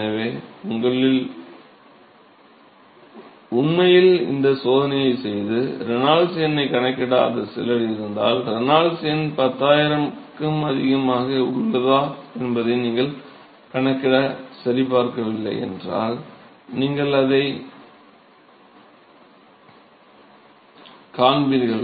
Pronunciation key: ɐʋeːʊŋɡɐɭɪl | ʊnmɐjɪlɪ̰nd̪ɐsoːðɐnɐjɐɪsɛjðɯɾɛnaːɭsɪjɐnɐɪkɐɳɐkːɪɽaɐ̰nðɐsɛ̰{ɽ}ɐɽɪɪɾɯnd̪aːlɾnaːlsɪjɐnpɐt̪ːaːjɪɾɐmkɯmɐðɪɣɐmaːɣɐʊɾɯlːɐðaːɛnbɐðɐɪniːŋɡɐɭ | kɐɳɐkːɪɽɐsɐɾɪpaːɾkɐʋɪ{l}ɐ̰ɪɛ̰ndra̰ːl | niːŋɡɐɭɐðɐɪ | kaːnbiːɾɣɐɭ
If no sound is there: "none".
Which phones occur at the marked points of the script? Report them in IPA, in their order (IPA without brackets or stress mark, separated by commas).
l, lː